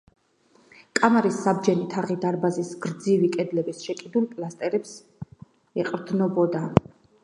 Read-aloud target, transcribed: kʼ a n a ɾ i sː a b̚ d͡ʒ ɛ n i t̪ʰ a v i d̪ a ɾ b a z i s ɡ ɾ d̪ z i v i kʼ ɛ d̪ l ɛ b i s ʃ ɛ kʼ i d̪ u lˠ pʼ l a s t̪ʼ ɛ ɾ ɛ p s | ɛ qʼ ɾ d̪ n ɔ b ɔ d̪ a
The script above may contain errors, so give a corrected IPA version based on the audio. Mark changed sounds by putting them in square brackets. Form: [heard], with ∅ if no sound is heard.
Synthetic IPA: kʼ a [m] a ɾ i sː a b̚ d͡ʒ ɛ n i t̪ʰ a [ʁ] i d̪ a ɾ b a z i s ɡ ɾ d̪ z i v i kʼ ɛ d̪ l ɛ b i s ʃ ɛ kʼ i d̪ u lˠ pʼ l a s t̪ʼ ɛ ɾ ɛ p s | ɛ qʼ ɾ d̪ n ɔ b ɔ d̪ a